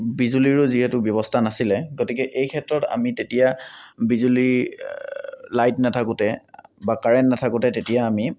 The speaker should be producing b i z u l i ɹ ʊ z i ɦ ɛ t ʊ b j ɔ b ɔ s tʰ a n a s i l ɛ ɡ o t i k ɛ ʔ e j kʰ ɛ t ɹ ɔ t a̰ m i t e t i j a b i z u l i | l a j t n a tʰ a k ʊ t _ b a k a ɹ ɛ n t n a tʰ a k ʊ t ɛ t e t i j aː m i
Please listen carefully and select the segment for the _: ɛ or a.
ɛ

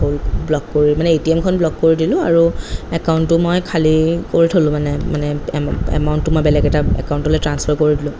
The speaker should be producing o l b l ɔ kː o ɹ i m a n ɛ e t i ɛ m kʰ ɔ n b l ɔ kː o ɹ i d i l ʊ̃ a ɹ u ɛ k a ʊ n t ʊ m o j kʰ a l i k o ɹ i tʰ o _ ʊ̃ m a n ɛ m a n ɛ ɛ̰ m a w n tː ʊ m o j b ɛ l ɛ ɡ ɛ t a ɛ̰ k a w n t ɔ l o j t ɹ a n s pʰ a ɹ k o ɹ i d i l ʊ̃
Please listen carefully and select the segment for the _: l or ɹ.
l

